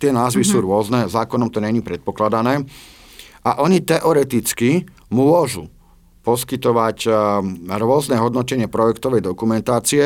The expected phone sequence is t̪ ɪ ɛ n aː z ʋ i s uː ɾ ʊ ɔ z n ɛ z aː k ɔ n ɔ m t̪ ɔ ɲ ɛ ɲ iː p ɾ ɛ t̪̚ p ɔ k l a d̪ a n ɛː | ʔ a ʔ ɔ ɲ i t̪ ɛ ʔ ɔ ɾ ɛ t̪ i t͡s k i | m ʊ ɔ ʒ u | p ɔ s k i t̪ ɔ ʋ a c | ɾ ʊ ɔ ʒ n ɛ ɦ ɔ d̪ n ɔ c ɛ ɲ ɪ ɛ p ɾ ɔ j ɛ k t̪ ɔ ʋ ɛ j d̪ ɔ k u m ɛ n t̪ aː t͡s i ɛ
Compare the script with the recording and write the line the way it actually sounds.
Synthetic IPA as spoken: t̪ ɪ ɛ n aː z ʋ i s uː ɾ ʊ ɔ z n ɛ z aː k ɔ n ɔ m t̪ ɔ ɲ ɛ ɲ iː p ɾ ɛ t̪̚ p ɔ k l a d̪ a n ɛː | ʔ a ʔ ɔ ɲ i t̪ ɛ ʔ ɔ ɾ ɛ t̪ i t͡s k i | m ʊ ɔ ʒ u | p ɔ s k i t̪ ɔ ʋ a c | ɾ ʊ ɔ z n ɛ ɦ ɔ d̪ n ɔ c ɛ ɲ ɪ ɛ p ɾ ɔ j ɛ k t̪ ɔ ʋ ɛ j d̪ ɔ k u m ɛ n t̪ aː t͡s i ɛ